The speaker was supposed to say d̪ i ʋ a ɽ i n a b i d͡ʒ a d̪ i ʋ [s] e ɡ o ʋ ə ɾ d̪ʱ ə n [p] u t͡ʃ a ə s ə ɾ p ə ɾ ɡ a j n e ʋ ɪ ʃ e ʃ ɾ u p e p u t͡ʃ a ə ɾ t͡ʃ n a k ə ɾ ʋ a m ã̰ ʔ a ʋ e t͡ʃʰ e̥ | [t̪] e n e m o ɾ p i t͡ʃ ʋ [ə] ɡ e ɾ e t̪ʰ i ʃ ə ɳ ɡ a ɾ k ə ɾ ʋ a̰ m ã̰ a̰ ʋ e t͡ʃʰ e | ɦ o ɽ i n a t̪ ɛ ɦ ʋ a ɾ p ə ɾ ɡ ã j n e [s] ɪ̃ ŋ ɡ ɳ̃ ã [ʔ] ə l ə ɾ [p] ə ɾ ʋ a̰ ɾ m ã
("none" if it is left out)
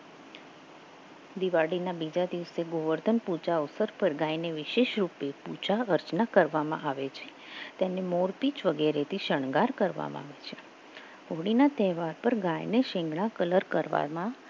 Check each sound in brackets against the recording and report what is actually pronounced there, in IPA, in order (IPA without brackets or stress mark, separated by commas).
s, p, t̪, ə, ʃ, k, k